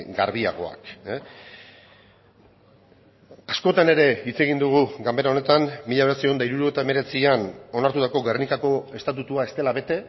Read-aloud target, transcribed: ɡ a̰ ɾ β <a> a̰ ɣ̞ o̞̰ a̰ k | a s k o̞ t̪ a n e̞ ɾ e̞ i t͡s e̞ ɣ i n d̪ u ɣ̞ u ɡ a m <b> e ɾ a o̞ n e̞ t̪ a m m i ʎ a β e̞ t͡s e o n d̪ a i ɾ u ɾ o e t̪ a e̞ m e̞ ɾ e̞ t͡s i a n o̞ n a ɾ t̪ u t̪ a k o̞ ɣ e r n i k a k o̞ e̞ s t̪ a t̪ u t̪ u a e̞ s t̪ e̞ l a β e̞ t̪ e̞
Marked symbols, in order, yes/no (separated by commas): no, yes